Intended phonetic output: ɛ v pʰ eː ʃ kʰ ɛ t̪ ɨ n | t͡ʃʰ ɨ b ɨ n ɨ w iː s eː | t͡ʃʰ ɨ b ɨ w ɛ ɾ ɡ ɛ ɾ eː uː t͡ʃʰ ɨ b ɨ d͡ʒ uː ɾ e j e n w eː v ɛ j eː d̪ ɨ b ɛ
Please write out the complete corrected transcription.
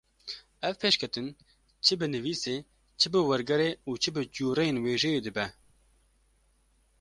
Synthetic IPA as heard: ɛ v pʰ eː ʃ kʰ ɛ t̪ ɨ n | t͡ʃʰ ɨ b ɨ n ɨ v iː s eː | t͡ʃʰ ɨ b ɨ w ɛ ɾ ɡ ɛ ɾ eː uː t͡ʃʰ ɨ b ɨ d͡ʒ uː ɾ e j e n w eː ʒ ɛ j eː d̪ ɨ b ɛ